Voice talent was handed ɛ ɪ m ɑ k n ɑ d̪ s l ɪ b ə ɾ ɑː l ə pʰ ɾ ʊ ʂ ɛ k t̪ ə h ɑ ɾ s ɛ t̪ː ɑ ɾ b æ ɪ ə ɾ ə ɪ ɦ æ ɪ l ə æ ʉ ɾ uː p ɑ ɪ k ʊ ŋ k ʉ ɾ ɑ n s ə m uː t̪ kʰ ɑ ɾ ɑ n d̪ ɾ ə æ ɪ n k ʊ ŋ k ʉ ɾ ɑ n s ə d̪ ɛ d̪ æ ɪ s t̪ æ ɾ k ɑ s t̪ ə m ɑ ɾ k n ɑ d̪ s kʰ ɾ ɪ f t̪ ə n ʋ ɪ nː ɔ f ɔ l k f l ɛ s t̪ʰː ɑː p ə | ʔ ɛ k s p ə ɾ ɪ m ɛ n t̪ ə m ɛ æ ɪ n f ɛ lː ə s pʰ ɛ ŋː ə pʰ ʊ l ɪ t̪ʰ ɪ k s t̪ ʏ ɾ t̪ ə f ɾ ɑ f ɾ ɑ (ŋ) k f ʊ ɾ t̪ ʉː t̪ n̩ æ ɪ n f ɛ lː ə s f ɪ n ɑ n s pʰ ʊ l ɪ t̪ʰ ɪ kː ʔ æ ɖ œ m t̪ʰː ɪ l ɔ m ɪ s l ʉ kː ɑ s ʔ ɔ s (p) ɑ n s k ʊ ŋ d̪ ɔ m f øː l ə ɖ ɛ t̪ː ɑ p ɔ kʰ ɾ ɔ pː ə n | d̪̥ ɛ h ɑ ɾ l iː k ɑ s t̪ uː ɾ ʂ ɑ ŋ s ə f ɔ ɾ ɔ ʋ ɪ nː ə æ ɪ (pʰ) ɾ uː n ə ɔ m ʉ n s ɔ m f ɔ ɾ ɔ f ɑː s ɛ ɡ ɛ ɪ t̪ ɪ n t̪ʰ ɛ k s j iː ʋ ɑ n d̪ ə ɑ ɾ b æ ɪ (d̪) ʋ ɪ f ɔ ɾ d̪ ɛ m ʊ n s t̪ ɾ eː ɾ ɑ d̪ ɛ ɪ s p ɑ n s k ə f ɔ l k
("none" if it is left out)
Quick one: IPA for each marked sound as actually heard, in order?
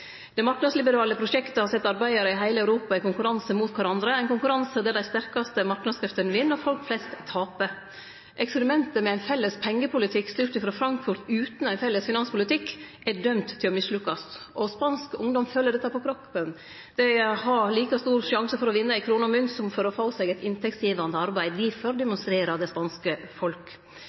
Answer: ŋ, p, kʰ, d̪

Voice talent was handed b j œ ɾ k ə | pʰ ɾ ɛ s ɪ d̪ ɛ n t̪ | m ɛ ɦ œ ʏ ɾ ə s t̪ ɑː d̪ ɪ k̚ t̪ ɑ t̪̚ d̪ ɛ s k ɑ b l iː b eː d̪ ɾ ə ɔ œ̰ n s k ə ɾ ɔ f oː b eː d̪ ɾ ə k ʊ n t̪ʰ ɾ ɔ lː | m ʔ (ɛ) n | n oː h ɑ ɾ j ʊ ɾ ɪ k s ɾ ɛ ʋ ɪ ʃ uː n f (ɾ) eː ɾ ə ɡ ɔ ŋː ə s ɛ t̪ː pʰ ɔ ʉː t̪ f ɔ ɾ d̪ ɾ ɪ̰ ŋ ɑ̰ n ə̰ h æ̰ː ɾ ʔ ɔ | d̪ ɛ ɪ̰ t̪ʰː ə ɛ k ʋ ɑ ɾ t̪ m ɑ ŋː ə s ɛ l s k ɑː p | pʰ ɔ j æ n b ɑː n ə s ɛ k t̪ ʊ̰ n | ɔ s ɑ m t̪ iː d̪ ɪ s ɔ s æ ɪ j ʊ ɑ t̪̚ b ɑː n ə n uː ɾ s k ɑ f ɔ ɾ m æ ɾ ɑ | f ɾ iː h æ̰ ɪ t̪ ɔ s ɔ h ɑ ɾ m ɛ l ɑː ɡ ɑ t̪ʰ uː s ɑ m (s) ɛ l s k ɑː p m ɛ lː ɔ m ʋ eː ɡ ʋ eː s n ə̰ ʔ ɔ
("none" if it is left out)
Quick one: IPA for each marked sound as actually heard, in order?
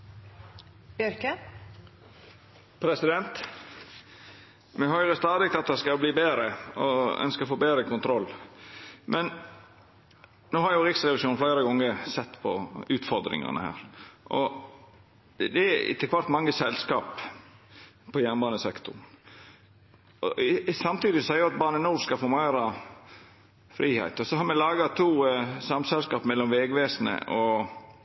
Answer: ɛ, l, s

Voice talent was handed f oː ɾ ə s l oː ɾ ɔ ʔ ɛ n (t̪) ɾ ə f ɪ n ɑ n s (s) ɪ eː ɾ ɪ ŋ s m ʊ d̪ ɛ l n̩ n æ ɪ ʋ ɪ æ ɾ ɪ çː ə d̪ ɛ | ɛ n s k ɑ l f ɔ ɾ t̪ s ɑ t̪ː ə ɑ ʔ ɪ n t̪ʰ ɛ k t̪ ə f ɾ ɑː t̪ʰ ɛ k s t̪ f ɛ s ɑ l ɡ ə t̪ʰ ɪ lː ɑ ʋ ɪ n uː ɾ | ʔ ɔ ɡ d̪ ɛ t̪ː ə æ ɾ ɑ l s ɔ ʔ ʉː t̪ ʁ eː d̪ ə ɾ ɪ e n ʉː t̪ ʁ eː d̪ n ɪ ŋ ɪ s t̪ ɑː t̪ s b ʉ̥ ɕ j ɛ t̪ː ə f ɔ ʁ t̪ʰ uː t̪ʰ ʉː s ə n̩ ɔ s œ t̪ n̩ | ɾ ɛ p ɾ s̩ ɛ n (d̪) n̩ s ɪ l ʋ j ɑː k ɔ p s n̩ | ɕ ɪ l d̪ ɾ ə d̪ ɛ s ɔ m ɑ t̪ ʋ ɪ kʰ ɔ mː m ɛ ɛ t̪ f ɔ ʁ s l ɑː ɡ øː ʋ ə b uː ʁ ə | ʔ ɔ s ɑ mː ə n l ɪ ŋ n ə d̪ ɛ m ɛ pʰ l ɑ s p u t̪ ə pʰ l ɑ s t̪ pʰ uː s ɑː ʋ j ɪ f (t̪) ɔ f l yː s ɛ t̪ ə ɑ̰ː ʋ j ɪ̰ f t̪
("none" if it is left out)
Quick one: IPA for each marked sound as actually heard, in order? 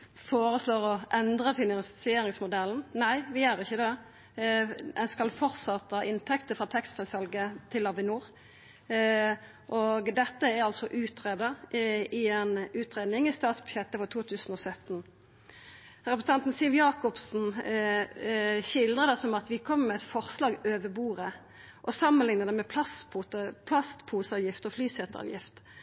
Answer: d̪, s, t̪, t̪

